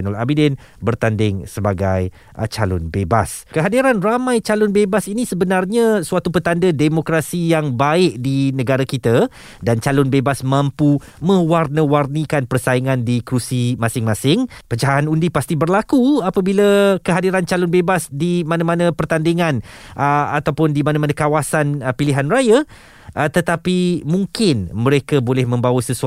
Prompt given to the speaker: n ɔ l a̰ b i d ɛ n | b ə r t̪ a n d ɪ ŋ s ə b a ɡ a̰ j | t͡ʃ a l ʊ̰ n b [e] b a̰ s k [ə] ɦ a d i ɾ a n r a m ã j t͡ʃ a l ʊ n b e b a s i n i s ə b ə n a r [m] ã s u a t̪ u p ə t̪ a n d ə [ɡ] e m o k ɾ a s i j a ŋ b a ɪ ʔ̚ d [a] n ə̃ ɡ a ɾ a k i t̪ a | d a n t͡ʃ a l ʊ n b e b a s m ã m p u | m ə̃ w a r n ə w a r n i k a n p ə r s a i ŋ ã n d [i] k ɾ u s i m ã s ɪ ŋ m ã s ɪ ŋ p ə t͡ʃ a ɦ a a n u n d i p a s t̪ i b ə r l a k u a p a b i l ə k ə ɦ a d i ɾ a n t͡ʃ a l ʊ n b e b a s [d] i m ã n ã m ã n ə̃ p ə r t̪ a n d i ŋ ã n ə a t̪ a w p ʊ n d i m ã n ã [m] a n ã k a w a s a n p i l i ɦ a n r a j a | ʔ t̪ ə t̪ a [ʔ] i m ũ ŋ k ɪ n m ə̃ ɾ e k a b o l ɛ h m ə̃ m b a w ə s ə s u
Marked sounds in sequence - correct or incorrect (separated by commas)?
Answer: correct, correct, incorrect, incorrect, incorrect, correct, correct, correct, incorrect